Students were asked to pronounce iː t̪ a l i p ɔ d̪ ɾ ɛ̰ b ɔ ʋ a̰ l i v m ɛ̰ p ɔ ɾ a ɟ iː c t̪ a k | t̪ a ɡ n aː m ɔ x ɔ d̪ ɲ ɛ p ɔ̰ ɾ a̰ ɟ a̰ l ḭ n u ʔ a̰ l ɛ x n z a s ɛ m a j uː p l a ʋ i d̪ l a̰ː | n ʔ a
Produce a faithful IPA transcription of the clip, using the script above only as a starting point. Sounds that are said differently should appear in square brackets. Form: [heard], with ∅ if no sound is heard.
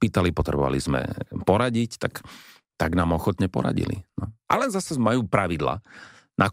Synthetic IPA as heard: iː t̪ a l i p ɔ [t̪] ɾ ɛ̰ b ɔ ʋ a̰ l i [z] m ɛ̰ p ɔ ɾ a ɟ [i] c t̪ a k | t̪ a ɡ n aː m ɔ x ɔ [t̪] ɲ ɛ p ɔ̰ ɾ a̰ ɟ [ḭ] l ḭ n [ɔ] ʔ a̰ l ɛ [∅] n z a s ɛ m a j uː p [ɾ] a ʋ i d̪ l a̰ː | n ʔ a